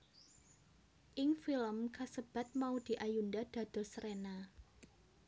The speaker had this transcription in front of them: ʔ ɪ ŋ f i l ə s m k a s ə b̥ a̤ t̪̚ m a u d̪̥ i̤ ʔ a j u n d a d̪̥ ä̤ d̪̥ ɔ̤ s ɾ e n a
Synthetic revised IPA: ʔ ɪ ŋ f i l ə m k a s ə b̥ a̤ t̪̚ m a u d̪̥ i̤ ʔ a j u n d a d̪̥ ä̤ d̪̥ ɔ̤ s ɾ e n a